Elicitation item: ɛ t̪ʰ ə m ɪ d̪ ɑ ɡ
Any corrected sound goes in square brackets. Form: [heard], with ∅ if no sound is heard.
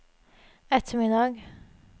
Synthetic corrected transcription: ɛ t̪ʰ ə m ɪ d̪ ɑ ɡ